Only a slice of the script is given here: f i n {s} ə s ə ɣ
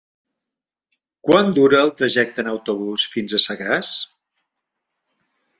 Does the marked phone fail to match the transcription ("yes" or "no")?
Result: yes